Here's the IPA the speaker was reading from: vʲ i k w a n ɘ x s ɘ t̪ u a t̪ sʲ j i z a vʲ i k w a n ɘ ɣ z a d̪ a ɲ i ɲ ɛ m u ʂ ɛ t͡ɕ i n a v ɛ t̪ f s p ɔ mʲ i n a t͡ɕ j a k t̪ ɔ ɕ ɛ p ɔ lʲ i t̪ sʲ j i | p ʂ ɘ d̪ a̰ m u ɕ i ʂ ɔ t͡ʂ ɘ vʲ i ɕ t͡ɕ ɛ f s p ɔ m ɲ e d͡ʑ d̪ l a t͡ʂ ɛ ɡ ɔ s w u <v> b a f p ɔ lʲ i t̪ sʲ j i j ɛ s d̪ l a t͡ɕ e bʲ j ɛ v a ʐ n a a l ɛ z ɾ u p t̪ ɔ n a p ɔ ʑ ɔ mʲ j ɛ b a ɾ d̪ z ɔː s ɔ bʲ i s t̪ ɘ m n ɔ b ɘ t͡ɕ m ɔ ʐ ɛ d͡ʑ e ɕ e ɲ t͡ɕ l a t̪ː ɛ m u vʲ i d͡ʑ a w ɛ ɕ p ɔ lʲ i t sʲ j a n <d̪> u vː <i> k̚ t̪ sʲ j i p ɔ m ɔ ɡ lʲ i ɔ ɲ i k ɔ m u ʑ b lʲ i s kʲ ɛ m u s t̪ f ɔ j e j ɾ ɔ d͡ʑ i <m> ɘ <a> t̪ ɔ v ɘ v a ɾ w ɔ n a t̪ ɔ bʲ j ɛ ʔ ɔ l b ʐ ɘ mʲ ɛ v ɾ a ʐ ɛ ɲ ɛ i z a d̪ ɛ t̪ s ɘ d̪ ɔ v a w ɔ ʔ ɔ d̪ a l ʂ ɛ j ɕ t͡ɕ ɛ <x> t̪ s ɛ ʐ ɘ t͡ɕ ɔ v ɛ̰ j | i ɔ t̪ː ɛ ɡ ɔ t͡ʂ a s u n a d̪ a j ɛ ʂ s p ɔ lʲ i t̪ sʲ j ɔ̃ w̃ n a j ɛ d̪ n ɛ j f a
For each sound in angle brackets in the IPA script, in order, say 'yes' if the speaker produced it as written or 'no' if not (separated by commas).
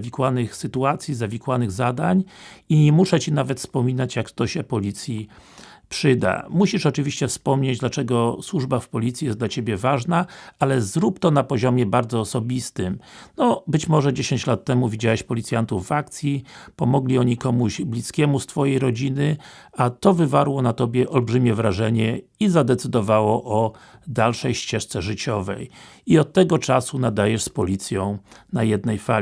no, no, no, no, yes, no